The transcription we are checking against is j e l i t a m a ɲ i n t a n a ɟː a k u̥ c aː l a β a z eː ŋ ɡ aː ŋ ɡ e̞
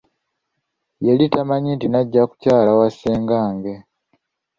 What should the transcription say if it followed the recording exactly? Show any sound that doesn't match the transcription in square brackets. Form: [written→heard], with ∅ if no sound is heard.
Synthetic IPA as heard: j e l i t a m a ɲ i n t [a→i] n a ɟː a k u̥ c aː l a [β→w] a [z→s] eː ŋ ɡ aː ŋ ɡ e̞